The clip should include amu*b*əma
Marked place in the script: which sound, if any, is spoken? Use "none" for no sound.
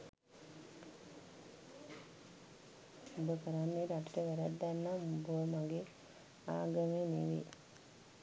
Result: b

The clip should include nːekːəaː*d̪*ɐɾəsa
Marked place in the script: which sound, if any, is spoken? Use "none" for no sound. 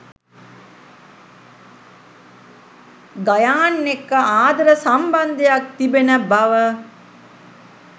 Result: d̪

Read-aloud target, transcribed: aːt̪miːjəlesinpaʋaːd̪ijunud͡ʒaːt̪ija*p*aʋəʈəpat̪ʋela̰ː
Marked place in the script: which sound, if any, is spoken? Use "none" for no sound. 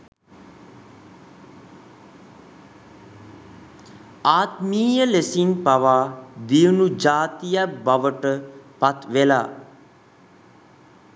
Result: b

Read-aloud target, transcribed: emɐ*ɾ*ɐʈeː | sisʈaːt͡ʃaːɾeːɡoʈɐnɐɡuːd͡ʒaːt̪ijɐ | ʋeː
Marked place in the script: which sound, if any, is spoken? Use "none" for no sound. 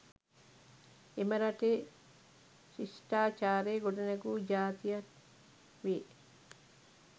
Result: ɾ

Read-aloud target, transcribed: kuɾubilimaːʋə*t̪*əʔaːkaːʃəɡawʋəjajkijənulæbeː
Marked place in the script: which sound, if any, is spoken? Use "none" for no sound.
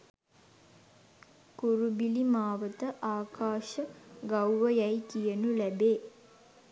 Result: t̪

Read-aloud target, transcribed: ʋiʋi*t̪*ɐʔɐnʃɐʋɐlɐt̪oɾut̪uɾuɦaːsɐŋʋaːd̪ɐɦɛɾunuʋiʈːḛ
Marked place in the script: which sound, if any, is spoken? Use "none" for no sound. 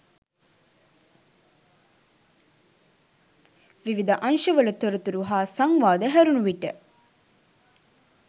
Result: d̪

